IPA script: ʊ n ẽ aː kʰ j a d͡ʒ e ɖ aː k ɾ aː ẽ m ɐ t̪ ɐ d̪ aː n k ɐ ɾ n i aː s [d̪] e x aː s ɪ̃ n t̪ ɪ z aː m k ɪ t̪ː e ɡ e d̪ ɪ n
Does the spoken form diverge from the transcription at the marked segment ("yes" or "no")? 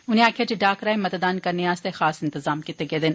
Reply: yes